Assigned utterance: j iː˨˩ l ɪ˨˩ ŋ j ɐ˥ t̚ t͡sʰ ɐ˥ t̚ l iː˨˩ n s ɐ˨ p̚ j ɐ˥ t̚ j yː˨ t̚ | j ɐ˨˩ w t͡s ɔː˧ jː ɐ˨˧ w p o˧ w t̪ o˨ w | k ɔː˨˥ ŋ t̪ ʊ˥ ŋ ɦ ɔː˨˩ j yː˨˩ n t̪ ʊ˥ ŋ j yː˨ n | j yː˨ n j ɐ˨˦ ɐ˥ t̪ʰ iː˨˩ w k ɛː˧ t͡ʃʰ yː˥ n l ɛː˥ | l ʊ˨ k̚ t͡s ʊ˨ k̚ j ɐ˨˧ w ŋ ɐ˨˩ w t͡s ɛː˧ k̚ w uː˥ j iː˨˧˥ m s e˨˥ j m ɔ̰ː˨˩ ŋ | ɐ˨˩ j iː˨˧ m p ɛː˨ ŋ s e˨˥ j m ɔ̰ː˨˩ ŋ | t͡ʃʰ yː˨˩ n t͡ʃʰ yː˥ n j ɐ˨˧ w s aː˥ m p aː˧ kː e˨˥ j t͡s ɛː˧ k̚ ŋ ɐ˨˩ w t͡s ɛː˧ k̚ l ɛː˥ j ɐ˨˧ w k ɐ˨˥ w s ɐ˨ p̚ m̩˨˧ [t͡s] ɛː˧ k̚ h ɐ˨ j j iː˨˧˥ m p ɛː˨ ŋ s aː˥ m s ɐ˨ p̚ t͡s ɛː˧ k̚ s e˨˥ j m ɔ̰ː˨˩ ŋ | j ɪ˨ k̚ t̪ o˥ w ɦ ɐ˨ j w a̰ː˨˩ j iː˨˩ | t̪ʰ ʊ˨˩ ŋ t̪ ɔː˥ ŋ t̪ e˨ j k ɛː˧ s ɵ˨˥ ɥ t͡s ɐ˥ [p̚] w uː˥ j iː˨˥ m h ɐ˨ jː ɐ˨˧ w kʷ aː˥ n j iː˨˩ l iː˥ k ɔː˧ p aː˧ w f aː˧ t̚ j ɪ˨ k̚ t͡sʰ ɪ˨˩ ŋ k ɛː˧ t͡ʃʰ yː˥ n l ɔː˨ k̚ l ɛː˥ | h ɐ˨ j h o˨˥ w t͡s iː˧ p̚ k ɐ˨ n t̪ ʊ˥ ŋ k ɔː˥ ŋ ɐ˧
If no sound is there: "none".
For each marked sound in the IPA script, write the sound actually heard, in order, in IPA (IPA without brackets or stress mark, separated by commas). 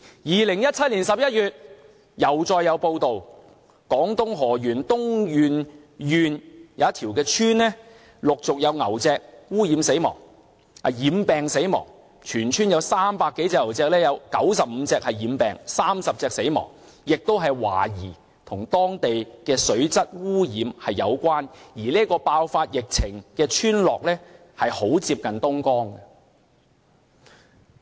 t͡s, t̚